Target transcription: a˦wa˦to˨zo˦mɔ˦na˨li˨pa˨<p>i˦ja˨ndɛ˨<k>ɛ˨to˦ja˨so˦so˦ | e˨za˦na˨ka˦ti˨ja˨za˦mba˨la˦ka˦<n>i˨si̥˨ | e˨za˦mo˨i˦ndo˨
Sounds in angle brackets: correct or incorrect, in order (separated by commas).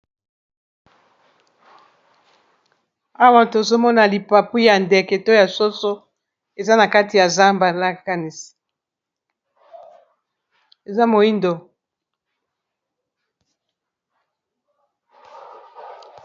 correct, correct, correct